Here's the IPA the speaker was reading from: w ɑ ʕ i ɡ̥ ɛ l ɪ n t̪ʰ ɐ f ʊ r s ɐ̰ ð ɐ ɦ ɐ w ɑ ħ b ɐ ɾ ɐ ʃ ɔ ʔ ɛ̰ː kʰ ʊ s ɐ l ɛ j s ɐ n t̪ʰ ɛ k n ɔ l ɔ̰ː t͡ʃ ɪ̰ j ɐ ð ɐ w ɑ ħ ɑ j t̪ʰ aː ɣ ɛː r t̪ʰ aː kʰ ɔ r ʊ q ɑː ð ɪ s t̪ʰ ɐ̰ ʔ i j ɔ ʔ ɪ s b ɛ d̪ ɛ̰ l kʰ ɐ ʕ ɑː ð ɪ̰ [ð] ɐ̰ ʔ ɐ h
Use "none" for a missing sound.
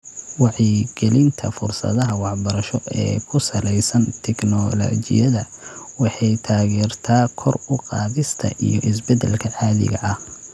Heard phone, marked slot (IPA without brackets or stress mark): ɣ